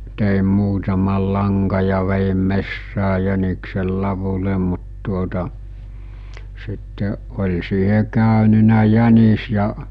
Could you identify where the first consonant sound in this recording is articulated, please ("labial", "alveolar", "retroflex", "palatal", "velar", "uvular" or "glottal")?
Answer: alveolar